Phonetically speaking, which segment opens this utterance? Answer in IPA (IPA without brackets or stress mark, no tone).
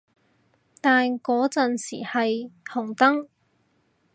t̪